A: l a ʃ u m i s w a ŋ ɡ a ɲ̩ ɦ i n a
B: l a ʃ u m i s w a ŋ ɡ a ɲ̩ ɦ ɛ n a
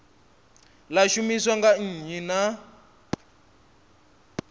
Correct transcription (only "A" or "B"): A